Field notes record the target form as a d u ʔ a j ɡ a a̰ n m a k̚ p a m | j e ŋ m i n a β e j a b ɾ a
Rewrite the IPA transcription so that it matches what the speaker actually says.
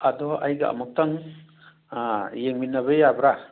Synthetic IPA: a d ɔ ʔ a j ɡ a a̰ m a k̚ t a ŋ | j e ŋ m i n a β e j a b ɾ a